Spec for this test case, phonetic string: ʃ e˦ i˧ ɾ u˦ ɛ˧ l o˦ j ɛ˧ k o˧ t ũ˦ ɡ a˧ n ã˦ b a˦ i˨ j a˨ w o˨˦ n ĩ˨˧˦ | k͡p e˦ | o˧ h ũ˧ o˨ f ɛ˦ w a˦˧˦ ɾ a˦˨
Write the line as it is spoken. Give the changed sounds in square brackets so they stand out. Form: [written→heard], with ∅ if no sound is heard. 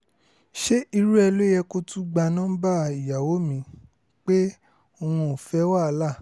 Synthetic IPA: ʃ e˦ i˧ ɾ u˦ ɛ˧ l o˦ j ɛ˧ k o˧ t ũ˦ [ɡ→ɡ͡b] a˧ n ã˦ b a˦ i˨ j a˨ w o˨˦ [n→m] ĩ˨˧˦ | k͡p e˦ | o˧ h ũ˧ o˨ f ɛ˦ w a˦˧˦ [ɾ→l] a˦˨